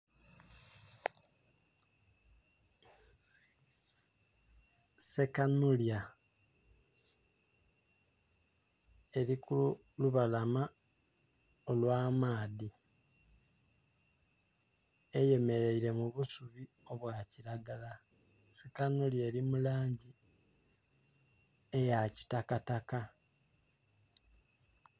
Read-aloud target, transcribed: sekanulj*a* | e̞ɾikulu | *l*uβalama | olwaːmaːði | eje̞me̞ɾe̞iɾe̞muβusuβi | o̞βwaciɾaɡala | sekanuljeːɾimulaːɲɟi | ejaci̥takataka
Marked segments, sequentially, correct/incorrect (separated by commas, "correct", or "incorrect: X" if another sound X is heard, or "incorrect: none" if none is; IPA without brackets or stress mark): correct, correct